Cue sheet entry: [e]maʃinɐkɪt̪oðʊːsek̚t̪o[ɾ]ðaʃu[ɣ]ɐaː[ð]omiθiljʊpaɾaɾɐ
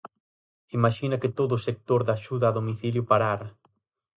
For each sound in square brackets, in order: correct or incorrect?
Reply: incorrect: i, correct, incorrect: ð, correct

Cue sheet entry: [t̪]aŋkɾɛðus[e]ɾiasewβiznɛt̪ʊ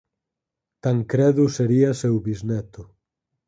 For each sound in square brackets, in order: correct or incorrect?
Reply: correct, correct

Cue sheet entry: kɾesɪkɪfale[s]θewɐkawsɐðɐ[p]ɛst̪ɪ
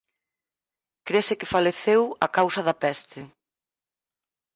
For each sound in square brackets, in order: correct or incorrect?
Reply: incorrect: none, correct

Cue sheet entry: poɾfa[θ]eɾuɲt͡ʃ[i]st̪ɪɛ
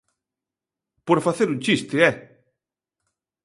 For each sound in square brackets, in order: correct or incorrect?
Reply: correct, correct

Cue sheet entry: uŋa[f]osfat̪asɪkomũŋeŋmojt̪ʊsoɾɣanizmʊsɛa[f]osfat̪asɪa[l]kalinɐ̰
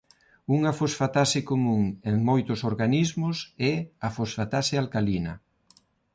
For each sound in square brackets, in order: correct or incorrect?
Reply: correct, correct, correct

